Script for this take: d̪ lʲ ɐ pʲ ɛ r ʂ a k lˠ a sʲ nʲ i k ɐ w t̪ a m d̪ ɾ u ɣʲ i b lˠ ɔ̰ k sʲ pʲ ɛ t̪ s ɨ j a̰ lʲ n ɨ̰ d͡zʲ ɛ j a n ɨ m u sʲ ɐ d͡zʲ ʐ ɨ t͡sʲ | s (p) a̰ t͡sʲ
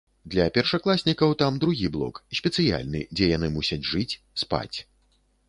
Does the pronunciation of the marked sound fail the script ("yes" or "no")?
no